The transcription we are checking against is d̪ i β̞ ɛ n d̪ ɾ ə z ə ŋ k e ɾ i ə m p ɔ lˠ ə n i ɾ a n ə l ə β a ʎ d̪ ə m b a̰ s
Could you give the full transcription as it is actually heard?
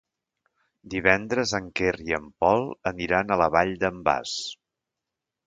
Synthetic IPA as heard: d̪ i β̞ ɛ n d̪ ɾ ə z ə ŋ k e r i ə m p ɔ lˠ ə n i ɾ a n ə l ə β a ʎ d̪ ə m b a̰ s